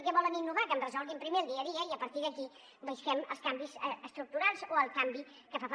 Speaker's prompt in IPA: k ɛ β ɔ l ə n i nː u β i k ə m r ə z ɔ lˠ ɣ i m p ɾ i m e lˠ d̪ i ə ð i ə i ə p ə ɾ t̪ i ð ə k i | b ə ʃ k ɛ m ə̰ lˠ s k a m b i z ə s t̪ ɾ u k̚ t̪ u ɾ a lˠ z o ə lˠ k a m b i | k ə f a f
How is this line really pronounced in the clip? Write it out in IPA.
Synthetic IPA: k ɛ β ɔ l ə n i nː u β a k ə m r ə z ɔ lˠ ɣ i m p ɾ i m e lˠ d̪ i ə ð i ə i ə p ə ɾ t̪ i ð ə k i | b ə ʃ k ɛ m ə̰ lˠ s k a m b i z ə s t̪ ɾ u k̚ t̪ u ɾ a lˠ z o ə lˠ k a m b i | k ə f a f